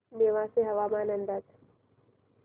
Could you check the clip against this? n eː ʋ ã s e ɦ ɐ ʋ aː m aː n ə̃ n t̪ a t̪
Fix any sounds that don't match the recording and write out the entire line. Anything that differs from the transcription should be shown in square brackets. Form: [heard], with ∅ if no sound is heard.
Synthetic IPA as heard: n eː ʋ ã s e ɦ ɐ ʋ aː m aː n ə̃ n [d̪] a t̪